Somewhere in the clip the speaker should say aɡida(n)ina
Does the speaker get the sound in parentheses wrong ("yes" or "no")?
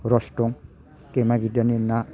no